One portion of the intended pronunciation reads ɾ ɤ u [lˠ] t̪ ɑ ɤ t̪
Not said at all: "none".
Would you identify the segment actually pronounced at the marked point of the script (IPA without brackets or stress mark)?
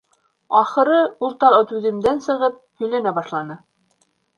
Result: lˠ